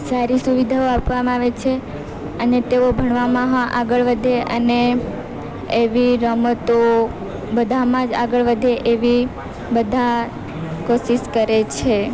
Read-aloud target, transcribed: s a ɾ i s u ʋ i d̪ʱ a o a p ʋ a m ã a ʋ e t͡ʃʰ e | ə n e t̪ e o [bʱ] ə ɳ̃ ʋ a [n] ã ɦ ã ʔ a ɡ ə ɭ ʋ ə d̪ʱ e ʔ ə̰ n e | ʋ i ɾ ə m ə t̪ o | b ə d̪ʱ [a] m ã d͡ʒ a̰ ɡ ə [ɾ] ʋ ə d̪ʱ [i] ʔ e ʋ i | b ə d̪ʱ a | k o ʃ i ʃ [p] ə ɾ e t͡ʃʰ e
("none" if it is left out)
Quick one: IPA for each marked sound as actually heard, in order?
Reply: bʱ, m, a, ɭ, e, k

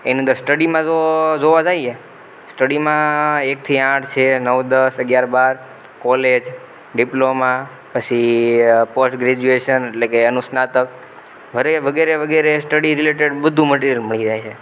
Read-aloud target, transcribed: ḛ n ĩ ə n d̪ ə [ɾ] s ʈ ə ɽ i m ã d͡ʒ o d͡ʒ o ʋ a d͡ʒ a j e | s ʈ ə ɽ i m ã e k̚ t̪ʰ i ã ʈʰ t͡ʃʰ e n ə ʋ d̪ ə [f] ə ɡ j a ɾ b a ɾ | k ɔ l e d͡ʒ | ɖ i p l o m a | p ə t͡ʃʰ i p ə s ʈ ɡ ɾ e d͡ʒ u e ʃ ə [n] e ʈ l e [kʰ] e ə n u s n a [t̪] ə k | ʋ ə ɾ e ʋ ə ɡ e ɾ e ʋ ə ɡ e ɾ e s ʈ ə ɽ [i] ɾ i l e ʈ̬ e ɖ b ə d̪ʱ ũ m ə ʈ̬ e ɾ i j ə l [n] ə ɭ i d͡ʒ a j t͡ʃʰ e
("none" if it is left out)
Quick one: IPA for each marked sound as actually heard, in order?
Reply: ɾ, s, n, k, t̪, i, m

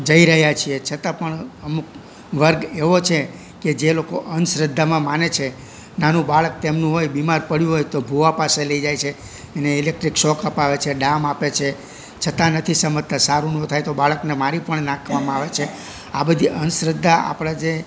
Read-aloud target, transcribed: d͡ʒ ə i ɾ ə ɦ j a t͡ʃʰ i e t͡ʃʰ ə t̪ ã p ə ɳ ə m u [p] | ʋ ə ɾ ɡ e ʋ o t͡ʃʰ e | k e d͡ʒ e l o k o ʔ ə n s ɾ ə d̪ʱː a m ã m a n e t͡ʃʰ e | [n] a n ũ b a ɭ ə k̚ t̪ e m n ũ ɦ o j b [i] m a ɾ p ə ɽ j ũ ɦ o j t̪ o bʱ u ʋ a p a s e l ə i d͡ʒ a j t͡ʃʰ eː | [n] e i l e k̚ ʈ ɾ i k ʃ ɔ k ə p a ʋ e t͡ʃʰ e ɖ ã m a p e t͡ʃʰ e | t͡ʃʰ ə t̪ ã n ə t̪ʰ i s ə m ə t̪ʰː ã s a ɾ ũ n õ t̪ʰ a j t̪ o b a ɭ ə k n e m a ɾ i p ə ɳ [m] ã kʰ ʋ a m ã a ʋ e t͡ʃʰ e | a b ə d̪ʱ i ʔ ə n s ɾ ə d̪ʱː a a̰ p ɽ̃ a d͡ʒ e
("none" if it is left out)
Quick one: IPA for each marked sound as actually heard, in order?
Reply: k, n, i, n, n

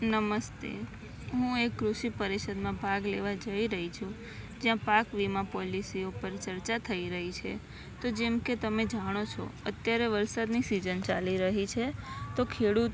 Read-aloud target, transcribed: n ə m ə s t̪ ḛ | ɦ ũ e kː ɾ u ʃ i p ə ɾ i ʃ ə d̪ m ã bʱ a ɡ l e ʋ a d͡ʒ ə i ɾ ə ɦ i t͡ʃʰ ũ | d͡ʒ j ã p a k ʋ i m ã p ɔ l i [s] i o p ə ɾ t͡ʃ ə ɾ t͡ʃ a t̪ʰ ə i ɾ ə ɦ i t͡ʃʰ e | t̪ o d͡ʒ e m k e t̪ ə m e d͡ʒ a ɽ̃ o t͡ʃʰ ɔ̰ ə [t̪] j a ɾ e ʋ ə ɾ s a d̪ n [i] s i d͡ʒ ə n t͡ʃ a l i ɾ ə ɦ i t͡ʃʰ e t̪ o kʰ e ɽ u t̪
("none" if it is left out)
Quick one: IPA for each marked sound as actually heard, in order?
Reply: s, t̪, i

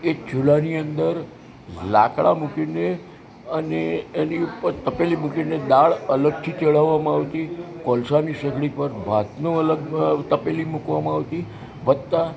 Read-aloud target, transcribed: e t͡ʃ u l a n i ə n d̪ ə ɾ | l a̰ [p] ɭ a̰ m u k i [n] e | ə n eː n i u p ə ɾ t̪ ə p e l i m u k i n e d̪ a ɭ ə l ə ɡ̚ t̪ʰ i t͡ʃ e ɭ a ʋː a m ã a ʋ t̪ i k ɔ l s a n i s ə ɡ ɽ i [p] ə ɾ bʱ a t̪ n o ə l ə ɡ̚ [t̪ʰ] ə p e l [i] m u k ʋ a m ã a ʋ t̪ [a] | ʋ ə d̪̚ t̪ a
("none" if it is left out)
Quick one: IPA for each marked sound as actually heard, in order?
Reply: k, n, p, t̪, i, i

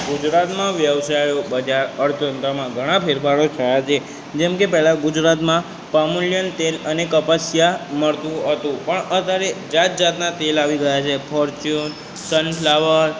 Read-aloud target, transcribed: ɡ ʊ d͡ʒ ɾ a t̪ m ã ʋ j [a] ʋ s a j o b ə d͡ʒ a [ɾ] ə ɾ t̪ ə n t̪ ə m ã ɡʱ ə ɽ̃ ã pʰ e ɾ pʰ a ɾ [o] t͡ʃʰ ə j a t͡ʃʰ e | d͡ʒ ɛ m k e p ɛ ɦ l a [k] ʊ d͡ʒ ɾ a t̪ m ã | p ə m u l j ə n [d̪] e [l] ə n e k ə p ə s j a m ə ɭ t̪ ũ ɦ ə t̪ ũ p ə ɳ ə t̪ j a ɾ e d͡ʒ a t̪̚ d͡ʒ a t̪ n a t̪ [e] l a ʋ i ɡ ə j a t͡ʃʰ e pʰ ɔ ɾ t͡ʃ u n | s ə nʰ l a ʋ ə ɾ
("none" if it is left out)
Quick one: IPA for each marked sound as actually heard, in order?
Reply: ə, ɾ, o, ɡ, t̪, l, e

